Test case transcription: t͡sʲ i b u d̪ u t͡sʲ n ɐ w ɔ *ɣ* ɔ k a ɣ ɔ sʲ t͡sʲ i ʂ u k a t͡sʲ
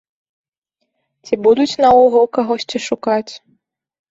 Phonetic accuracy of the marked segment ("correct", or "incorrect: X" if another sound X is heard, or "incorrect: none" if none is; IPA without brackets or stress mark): correct